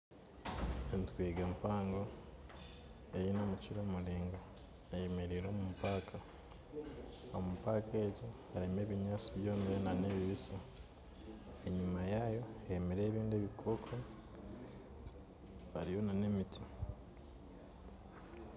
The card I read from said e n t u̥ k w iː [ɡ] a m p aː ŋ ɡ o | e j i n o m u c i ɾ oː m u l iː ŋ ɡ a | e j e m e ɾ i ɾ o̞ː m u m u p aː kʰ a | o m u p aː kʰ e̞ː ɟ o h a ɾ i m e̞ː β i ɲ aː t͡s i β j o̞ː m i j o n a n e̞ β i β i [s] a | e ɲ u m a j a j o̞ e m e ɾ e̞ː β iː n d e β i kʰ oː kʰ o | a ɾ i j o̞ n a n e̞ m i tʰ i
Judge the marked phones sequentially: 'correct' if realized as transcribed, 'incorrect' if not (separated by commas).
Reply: correct, correct